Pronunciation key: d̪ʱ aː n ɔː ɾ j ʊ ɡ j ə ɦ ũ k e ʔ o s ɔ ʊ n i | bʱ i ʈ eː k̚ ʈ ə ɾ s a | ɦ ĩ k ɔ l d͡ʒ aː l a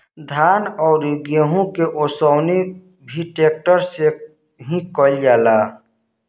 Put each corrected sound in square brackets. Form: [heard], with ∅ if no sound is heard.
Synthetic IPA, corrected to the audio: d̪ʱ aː n ɔː ɾ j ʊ ɡ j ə ɦ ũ k e ʔ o s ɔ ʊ n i | bʱ i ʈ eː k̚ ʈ ə ɾ s [e] | ɦ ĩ k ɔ l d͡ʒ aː l a